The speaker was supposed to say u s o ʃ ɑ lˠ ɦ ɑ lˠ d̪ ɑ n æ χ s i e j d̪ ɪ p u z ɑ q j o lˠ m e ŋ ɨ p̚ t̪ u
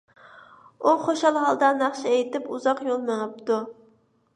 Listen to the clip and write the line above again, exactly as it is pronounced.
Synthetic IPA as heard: u χ o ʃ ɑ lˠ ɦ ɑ lˠ d̪ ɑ n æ χ ʃ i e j t̪ ɪ p u z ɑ q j o lˠ m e ŋ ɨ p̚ t̪ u